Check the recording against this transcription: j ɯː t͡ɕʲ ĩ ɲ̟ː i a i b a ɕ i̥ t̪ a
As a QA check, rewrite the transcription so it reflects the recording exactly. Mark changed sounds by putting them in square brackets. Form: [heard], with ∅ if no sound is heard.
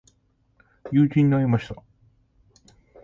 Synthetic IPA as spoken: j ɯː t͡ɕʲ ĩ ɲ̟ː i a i [m] a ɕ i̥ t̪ a